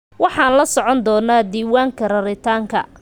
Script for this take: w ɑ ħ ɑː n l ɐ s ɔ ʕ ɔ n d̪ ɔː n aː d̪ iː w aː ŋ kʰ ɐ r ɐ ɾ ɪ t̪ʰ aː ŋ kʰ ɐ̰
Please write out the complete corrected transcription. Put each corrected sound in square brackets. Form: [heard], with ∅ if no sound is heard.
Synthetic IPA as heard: w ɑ ħ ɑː n l ɐ s ɔ ʕ ɔ n d̪ ɔː n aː d̪ iː w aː ŋ kʰ ɐ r ɐ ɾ ɪ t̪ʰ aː ŋ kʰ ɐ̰